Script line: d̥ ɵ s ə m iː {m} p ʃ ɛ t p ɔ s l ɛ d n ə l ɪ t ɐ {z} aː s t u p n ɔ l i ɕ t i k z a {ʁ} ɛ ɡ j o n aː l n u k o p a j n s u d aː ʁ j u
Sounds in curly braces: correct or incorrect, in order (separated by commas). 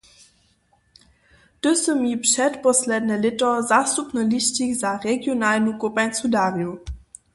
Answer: incorrect, correct, correct